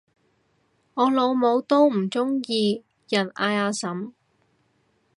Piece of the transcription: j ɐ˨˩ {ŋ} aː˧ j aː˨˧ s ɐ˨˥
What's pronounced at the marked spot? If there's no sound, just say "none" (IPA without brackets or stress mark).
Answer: n